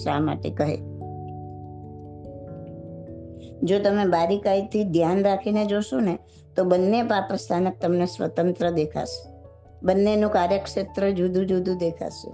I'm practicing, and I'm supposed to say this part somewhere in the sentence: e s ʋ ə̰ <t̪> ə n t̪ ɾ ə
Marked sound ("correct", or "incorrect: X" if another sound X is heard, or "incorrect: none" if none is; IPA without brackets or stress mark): correct